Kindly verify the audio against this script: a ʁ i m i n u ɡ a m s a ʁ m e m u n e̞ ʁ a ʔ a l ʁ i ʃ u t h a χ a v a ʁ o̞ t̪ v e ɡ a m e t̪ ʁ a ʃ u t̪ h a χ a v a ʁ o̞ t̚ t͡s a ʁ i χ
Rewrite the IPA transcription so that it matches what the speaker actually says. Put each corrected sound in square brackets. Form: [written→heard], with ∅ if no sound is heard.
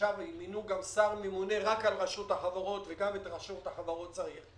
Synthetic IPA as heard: a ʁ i m i n u ɡ a m s a ʁ m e m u n e̞ ʁ a [ʔ→k] a l ʁ [i→a] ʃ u t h a χ a v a ʁ o̞ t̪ v e ɡ a m e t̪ ʁ a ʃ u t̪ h a χ a v a ʁ o̞ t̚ t͡s a ʁ i χ